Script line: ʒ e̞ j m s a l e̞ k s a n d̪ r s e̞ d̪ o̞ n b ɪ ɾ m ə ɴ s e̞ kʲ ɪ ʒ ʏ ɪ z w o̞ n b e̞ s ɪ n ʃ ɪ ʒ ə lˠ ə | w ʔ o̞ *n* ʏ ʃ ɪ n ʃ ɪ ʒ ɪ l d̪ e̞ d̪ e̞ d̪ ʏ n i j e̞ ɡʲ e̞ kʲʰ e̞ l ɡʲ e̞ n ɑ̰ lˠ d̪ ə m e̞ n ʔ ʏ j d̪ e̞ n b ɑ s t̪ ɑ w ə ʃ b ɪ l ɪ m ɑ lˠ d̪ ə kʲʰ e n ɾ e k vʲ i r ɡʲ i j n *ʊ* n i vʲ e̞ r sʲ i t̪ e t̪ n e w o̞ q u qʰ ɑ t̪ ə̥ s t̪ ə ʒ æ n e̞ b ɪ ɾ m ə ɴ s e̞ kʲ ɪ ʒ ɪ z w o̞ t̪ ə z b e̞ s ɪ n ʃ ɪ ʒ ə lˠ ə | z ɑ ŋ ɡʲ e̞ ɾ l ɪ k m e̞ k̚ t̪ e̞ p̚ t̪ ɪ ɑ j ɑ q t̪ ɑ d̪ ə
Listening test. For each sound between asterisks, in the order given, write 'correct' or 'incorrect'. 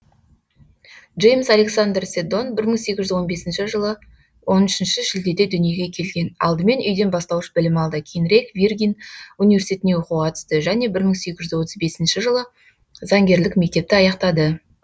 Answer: correct, incorrect

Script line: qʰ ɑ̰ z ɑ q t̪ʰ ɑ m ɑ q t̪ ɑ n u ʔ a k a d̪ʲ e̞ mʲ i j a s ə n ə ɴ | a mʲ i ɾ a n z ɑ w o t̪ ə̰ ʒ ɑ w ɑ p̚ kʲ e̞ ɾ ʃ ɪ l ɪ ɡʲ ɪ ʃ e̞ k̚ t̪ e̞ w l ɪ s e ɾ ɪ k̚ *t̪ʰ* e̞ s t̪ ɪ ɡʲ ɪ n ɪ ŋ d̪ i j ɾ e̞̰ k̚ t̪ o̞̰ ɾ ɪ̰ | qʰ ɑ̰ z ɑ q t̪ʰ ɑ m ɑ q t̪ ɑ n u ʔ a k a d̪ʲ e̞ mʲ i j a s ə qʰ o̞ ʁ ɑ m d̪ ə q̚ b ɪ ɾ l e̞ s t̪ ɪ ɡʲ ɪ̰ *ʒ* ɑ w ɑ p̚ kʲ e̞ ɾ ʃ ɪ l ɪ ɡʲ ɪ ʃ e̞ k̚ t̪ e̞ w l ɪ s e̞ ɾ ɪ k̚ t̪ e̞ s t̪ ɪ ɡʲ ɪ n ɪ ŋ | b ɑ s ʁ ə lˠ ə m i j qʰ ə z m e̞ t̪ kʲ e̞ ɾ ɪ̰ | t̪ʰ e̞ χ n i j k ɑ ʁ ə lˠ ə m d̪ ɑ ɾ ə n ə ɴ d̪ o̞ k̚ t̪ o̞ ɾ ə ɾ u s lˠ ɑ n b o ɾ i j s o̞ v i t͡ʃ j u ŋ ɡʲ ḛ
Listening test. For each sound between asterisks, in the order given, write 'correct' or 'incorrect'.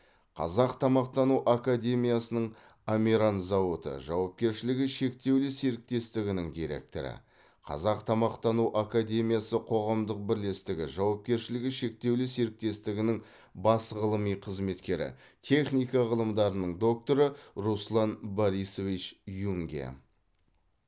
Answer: incorrect, correct

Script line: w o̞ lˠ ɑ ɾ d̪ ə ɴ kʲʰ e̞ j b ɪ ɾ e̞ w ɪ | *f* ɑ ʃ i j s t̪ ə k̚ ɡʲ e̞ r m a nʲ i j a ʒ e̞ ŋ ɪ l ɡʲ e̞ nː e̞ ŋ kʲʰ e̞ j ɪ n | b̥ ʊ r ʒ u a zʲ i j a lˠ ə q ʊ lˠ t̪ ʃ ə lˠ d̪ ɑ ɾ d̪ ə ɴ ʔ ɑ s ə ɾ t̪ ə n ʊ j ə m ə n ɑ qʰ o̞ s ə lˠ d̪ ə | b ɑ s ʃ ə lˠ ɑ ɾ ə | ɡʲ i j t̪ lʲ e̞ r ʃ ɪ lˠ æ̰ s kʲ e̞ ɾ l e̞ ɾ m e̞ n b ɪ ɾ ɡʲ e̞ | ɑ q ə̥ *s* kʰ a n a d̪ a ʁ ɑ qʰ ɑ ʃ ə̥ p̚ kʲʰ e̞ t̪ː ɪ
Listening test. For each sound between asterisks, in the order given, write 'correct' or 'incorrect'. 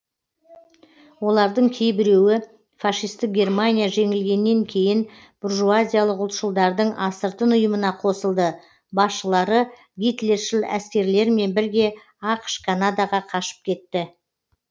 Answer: correct, incorrect

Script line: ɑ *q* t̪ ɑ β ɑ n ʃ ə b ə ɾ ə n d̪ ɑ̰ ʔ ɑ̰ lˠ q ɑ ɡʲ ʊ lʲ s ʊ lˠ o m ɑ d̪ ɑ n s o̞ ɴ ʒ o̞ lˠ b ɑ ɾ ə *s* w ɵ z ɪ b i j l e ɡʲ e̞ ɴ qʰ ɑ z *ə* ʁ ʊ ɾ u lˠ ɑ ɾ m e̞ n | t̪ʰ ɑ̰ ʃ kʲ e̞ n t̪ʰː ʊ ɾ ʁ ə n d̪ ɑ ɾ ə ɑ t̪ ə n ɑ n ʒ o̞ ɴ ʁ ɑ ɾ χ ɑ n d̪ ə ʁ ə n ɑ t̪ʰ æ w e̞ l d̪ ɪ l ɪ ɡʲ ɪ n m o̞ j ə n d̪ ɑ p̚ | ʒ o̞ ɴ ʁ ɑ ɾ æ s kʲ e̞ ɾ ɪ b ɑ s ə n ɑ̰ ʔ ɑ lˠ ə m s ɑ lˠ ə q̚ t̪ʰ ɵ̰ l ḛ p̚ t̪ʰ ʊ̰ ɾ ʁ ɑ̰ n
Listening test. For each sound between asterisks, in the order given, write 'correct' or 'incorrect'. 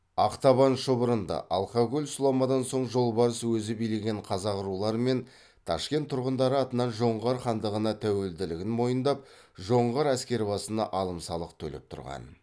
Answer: correct, correct, incorrect

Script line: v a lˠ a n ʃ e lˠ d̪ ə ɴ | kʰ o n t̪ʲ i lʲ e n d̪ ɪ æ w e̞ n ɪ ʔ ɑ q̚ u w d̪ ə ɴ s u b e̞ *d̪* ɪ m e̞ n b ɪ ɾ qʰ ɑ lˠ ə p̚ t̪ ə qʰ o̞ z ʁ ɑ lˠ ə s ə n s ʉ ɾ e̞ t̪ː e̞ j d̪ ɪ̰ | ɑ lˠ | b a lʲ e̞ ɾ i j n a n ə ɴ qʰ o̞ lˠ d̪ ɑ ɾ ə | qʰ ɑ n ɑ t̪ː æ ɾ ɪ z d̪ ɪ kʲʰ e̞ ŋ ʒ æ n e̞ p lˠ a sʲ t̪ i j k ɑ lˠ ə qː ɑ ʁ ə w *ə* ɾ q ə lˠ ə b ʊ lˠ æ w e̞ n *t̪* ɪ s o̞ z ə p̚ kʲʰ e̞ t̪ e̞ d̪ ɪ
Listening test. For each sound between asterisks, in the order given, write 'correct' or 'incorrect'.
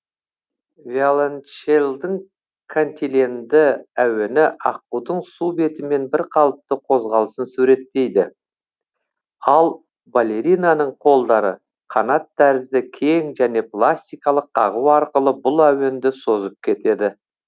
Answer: incorrect, incorrect, incorrect

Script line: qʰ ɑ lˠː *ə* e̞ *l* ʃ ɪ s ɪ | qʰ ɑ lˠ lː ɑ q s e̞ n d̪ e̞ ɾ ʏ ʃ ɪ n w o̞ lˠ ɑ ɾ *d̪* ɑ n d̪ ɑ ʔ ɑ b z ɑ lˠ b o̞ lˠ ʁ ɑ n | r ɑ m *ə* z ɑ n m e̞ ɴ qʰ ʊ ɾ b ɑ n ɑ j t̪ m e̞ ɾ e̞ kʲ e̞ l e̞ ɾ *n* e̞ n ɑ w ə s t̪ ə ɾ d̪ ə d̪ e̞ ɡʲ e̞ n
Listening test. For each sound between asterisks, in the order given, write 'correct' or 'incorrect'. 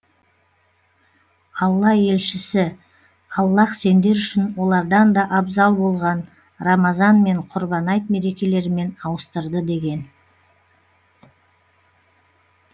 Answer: incorrect, correct, correct, incorrect, incorrect

